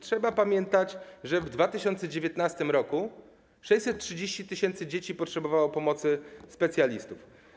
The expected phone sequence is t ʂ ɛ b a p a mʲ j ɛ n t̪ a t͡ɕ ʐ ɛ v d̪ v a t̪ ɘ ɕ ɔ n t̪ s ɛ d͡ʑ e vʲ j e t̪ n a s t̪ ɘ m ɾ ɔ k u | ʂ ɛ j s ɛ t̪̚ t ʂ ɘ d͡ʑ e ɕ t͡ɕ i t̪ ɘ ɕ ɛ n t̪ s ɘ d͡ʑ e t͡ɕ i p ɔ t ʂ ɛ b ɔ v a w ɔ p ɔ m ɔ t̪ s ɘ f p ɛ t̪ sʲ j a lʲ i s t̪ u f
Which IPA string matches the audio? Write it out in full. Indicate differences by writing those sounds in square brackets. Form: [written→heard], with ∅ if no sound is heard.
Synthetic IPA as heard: t ʂ ɛ b a p a mʲ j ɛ n t̪ a t͡ɕ ʐ ɛ v d̪ v a t̪ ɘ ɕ ɔ n t̪ s ɛ d͡ʑ e vʲ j e t̪ n a s t̪ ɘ m ɾ ɔ k u | ʂ ɛ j s ɛ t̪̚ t ʂ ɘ d͡ʑ e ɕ t͡ɕ i t̪ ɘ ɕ ɛ n t̪ s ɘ d͡ʑ e t͡ɕ i p ɔ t ʂ ɛ b ɔ v a w ɔ p ɔ m ɔ t̪ s ɘ [f→s] p ɛ t̪ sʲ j a lʲ i s t̪ u f